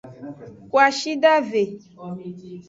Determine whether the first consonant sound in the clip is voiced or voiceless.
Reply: voiceless